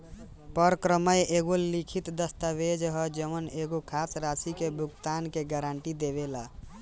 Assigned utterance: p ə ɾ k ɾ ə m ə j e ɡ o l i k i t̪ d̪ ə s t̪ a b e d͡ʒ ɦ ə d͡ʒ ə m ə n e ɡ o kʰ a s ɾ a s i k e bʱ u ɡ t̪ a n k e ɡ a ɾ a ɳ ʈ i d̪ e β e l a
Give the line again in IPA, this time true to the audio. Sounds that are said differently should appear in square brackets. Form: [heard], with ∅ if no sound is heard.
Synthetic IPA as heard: p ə ɾ k ɾ ə m ə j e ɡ o l i [kʰ] i t̪ d̪ ə s t̪ a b e d͡ʒ ɦ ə d͡ʒ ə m ə n e ɡ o kʰ a s ɾ a s i k e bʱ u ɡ t̪ a n k e ɡ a ɾ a ɳ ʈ i d̪ e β e l a